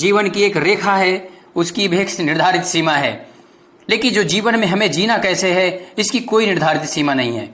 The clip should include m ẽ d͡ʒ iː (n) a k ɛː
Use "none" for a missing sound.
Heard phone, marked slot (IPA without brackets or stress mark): n